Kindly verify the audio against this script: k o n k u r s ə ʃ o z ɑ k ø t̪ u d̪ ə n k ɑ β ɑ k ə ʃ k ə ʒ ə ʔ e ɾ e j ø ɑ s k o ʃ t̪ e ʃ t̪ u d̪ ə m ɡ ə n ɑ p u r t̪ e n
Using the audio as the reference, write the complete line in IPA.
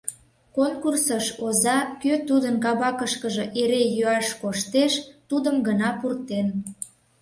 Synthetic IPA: k o n k u r s ə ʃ o z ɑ k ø t̪ u d̪ ə n k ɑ β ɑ k ə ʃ k ə ʒ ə ʔ e ɾ e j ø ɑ ʃ k o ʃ t̪ e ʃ t̪ u d̪ ə m ɡ ə n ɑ p u r t̪ e n